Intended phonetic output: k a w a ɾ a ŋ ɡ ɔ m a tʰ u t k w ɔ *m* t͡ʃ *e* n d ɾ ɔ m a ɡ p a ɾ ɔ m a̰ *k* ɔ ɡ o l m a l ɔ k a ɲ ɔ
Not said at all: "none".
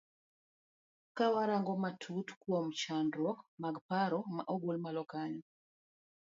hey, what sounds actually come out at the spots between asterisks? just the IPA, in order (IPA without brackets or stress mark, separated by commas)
m, a, ʔ